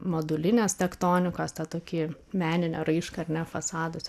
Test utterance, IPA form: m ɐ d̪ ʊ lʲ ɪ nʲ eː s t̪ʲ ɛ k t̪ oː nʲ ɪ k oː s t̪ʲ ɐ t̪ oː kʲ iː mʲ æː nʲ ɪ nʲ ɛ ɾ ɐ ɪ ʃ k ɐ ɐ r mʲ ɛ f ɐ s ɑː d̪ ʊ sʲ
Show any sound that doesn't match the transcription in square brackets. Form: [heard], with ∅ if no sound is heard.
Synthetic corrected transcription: m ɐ d̪ ʊ lʲ ɪ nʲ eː s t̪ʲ ɛ k t̪ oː nʲ ɪ k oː s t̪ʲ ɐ t̪ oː kʲ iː mʲ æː nʲ ɪ nʲ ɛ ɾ ɐ ɪ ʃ k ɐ ɐ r [nʲ] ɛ f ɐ s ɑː d̪ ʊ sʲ